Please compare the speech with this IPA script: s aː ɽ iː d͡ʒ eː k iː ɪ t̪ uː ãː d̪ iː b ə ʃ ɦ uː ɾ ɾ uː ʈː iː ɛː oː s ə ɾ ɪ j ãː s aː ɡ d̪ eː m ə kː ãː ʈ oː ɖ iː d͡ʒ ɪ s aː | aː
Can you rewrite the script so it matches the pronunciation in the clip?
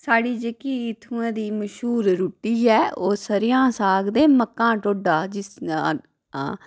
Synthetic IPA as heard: s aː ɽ iː d͡ʒ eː k iː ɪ t̪ʰ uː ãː d̪ iː m ə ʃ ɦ uː ɾ ɾ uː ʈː iː ɛː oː s ə ɾ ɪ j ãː s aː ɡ d̪ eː m ə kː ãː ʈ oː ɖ aː d͡ʒ ɪ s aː | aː